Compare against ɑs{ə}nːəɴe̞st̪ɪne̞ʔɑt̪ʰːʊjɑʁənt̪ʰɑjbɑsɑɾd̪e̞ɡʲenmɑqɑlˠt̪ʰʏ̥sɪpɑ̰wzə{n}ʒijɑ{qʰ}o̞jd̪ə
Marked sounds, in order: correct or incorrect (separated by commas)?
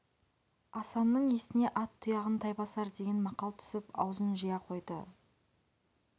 incorrect, correct, correct